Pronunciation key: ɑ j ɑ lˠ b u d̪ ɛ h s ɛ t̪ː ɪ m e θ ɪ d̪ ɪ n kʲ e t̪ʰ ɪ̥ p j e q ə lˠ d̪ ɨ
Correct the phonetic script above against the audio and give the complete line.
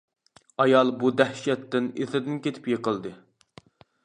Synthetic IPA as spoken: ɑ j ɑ lˠ b u d̪ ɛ h ʃ ɛ t̪ː ɪ n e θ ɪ d̪ ɪ n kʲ e t̪ʰ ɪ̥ p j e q ə lˠ d̪ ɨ